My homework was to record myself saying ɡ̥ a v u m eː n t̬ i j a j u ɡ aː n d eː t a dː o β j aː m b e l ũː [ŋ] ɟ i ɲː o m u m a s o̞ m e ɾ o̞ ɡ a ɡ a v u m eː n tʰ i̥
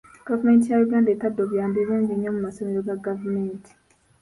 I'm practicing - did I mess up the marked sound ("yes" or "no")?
yes